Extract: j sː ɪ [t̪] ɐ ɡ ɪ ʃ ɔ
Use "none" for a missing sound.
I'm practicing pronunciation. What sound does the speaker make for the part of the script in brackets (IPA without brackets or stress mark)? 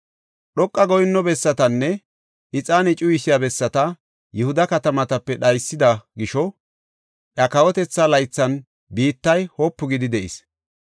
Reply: d̪